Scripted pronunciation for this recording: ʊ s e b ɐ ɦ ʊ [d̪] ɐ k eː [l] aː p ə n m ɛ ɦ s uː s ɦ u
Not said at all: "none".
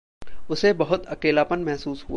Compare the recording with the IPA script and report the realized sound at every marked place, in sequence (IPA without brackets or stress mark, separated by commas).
t̪, l